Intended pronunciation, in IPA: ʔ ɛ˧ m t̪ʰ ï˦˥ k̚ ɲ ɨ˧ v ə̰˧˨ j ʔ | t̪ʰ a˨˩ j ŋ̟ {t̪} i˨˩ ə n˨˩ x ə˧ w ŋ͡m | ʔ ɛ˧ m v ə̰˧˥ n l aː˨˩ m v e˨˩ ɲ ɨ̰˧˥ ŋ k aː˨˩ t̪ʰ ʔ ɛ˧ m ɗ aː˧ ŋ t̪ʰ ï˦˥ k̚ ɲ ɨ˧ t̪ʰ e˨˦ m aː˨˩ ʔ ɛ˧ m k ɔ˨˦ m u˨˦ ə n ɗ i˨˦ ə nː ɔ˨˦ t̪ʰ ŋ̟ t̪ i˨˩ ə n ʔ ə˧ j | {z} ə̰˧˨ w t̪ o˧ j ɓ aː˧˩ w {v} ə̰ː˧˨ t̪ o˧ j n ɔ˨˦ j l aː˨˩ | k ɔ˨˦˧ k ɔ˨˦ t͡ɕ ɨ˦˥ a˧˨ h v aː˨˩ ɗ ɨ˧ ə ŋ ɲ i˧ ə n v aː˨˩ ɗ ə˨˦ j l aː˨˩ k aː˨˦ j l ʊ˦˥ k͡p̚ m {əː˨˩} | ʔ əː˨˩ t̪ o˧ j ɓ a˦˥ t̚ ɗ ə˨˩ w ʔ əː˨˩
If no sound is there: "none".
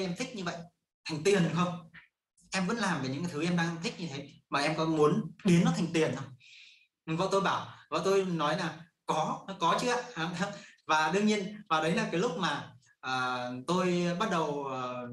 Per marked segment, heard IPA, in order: t̪, v, v, aː˨˩

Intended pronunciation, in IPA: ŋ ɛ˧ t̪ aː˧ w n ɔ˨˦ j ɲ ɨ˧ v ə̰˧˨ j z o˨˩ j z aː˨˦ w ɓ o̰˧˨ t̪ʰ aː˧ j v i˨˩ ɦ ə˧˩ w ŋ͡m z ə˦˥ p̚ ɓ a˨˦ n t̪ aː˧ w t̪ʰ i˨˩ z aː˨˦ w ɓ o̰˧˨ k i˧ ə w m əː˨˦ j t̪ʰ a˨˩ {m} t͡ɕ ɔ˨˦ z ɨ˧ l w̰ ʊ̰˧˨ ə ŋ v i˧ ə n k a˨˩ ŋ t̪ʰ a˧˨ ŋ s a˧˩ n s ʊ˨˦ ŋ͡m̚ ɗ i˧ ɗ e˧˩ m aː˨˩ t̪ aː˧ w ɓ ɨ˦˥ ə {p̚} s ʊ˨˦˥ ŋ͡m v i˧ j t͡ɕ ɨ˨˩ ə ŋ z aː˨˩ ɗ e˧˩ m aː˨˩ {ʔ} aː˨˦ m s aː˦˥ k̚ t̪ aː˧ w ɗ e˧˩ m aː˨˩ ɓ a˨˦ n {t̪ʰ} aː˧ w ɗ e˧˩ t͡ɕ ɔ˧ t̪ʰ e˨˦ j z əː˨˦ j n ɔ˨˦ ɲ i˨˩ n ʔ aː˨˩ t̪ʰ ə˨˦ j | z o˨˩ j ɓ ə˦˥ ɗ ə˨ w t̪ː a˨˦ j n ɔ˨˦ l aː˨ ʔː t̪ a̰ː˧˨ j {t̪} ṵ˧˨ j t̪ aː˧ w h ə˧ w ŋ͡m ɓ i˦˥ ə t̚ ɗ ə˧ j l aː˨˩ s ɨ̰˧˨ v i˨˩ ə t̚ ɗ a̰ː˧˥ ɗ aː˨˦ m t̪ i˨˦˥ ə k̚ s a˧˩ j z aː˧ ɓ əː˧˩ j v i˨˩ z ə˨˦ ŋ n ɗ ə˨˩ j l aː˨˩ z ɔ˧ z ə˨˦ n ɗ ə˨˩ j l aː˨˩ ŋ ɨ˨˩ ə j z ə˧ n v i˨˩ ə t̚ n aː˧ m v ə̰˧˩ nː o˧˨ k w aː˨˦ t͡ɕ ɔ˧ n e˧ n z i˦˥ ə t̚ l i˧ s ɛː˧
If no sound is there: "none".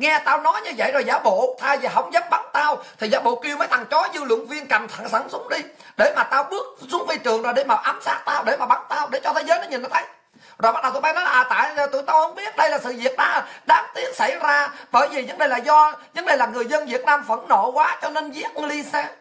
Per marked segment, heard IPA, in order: ŋ, k̚, ʔ, t̪, t̪

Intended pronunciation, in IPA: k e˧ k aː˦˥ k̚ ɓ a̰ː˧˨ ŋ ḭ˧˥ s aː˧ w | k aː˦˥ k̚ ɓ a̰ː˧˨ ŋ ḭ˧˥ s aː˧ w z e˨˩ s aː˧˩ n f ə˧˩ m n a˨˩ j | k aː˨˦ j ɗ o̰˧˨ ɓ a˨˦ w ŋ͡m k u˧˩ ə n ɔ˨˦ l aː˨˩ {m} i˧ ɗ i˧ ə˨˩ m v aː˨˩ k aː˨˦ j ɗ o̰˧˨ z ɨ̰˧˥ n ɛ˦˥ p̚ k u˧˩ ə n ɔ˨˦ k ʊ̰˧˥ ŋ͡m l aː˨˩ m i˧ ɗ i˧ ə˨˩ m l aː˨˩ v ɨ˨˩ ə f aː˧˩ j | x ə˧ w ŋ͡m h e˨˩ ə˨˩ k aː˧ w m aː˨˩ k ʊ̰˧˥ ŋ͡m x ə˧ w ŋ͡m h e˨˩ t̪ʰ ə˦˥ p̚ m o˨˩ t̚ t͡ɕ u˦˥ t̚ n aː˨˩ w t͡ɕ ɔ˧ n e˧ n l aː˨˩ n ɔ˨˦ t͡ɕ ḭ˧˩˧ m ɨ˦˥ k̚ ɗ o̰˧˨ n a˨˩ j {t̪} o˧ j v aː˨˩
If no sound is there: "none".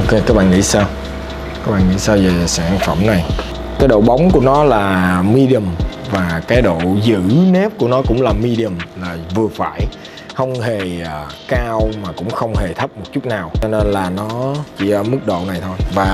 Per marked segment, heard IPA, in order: m, t̪ʰ

